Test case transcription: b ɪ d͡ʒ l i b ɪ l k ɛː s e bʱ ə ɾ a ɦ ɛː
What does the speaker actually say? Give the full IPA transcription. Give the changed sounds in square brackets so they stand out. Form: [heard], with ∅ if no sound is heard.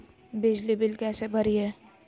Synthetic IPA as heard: b ɪ d͡ʒ l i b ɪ l k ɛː s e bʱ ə ɾ [i] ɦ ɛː